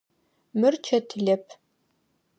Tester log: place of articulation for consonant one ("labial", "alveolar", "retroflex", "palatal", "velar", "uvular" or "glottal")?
labial